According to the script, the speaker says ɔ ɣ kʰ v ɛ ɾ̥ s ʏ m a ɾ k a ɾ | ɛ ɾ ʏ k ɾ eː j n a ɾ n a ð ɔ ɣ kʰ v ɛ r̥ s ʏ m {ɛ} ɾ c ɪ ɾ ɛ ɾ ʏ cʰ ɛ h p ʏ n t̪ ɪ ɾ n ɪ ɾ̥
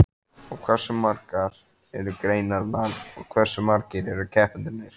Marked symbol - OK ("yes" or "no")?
no